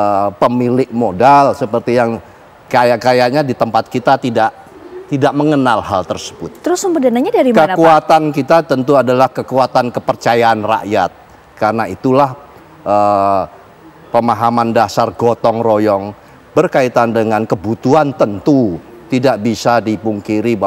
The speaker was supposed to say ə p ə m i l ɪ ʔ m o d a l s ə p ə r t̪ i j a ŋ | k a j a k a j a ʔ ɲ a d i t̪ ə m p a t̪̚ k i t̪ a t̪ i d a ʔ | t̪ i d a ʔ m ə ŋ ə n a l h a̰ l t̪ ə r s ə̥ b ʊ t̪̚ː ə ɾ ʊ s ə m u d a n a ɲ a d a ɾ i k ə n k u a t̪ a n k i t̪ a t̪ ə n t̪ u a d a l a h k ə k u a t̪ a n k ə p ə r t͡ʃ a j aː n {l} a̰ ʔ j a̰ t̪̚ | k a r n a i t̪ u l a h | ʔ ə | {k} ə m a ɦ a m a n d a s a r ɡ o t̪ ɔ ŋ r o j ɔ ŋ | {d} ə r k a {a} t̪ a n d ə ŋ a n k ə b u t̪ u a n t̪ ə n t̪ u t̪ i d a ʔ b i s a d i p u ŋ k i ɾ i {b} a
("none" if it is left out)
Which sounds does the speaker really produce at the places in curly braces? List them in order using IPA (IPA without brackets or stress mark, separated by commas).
r, p, b, i, b